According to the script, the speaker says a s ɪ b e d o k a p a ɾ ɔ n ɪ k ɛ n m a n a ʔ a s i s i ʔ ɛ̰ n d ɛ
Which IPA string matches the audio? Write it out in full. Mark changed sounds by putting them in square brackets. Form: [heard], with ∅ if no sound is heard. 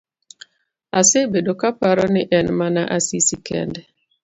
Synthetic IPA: a s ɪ b e d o k a p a ɾ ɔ n ɪ [ʔ] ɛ n m a n a ʔ a s i s i [k] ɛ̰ n d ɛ